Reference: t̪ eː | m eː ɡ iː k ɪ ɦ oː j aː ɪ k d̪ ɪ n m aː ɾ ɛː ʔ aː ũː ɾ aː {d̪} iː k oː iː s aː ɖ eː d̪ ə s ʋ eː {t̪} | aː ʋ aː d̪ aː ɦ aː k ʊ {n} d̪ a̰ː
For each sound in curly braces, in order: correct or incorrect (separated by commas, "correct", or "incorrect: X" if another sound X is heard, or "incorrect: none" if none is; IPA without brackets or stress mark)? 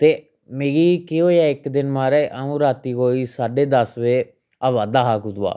incorrect: t̪, incorrect: none, incorrect: none